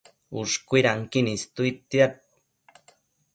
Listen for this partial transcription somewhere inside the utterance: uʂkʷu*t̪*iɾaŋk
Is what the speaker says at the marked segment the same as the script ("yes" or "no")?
no